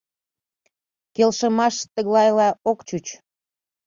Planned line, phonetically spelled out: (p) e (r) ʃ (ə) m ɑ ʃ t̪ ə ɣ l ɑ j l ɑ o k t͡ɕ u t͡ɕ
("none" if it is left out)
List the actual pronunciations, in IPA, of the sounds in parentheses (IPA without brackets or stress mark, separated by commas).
k, l, ə